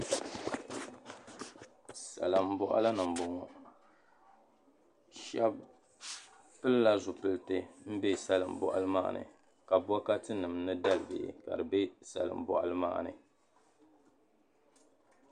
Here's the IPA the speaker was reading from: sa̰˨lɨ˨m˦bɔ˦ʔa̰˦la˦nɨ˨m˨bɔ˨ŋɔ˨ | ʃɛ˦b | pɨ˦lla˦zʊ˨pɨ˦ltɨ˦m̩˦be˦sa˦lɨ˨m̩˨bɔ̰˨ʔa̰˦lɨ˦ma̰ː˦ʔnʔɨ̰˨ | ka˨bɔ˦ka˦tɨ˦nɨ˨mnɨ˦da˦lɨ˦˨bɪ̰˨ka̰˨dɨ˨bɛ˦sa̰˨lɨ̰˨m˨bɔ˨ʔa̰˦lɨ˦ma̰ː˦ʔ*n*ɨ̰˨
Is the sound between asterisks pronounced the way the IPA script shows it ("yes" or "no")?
yes